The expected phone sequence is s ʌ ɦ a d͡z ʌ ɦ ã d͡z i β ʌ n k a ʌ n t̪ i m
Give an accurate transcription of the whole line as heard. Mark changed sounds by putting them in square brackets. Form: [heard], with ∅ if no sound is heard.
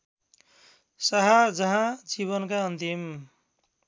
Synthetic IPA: s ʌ ɦ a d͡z ʌ ɦ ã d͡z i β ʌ n k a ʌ n t̪ i m